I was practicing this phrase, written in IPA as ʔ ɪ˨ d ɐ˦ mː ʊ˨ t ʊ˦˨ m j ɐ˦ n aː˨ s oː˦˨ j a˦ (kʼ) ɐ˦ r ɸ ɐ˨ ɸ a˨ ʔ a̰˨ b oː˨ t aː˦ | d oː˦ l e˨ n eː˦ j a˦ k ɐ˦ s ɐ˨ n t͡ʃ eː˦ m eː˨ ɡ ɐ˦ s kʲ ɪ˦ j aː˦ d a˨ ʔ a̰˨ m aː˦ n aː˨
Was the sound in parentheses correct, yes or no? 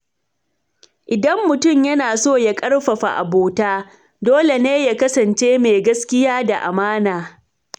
yes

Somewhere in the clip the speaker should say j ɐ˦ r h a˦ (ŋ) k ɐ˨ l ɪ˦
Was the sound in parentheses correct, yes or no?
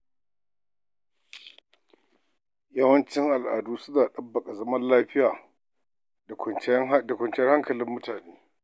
yes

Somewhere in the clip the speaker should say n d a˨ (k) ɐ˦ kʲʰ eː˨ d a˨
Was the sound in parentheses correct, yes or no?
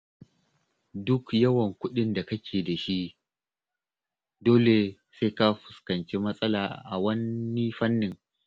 yes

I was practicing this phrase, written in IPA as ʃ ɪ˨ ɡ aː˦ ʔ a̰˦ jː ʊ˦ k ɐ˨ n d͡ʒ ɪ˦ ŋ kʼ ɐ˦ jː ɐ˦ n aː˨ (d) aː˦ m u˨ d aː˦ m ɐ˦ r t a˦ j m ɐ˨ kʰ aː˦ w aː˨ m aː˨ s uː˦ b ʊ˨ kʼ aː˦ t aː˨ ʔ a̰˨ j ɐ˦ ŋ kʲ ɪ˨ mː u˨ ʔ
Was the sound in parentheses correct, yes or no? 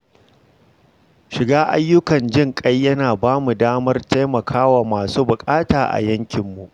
no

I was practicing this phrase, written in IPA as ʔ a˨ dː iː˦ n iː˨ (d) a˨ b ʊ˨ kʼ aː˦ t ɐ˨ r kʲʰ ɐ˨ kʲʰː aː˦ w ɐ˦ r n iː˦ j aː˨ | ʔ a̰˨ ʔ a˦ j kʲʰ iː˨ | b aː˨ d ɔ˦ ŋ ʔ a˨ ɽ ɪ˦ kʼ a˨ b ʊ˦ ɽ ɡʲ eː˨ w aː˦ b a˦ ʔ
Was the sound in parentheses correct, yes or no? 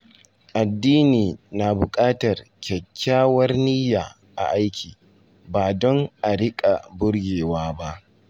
no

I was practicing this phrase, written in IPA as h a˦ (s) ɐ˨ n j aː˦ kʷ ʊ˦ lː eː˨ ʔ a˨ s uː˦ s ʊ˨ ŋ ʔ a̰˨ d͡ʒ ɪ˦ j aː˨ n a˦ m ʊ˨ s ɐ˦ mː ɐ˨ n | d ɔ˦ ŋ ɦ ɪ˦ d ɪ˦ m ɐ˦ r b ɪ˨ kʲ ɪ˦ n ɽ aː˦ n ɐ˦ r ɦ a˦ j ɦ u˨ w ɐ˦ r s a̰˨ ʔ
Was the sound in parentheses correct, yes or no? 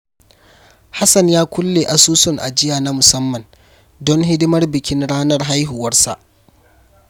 yes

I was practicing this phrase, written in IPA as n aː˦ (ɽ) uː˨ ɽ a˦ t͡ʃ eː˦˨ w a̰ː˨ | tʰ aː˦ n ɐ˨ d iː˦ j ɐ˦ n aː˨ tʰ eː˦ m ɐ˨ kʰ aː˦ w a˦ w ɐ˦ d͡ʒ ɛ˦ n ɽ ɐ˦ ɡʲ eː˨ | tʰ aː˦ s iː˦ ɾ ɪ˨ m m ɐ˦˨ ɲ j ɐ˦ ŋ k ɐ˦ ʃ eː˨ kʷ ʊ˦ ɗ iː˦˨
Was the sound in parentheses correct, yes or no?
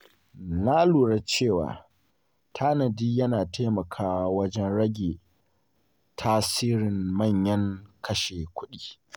no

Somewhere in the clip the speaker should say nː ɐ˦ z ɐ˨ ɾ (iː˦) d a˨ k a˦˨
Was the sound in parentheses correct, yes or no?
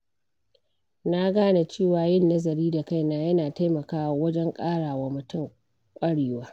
yes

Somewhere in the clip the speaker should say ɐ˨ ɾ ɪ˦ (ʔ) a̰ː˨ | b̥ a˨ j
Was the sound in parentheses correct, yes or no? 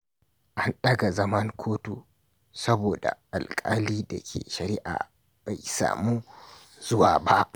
yes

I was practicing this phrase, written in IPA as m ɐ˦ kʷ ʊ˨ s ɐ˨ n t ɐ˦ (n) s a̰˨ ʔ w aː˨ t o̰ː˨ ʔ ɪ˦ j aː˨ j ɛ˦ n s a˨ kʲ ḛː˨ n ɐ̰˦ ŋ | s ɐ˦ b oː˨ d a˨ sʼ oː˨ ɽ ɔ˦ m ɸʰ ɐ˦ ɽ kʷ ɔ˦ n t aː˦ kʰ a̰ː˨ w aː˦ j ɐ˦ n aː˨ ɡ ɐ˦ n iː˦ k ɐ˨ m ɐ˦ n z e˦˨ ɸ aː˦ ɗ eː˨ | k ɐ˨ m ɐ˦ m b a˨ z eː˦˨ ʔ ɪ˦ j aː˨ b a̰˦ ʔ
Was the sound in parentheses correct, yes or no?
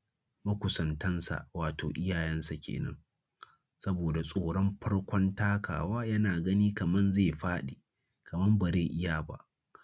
yes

